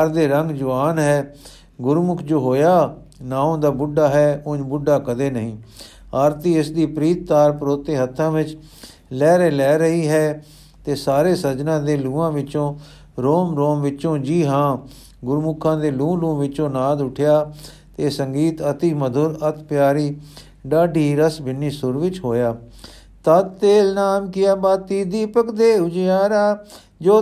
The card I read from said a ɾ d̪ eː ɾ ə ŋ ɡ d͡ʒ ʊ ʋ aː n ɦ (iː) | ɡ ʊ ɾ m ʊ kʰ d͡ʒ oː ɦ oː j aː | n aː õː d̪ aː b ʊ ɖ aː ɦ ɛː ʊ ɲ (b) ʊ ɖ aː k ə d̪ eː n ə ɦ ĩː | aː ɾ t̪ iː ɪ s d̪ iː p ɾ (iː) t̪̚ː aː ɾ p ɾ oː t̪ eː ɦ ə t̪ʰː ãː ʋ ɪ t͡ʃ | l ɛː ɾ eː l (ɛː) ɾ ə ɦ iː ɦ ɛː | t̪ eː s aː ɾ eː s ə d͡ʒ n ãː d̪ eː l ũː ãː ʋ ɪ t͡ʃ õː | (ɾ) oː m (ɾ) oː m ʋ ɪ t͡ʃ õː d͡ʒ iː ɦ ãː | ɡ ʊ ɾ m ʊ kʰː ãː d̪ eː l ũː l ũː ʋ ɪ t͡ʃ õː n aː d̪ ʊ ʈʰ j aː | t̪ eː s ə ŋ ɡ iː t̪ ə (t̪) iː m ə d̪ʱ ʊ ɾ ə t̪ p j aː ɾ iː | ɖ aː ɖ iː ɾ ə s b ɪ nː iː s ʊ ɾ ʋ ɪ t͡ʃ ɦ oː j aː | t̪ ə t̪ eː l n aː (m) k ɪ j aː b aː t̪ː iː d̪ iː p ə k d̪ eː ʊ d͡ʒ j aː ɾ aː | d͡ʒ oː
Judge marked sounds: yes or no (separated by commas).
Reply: no, yes, yes, yes, yes, yes, yes, yes